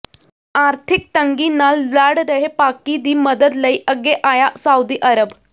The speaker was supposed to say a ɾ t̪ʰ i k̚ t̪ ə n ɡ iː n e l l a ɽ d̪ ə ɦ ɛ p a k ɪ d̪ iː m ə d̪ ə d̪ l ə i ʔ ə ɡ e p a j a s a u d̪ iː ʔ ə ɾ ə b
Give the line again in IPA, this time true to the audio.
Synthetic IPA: a ɾ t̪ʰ i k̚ t̪ ə ŋ ɡ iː n a l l a ɽ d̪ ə ɦ e p a k i d̪ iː m ə d̪ ə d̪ l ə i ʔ ə ɡ e ʔ a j a s a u d̪ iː ʔ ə ɾ ə b